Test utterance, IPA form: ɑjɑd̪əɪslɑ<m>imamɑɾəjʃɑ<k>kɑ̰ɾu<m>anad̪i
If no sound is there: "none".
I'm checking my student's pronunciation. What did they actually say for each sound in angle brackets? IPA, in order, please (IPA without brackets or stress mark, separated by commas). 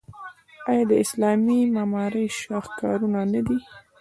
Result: m, x, n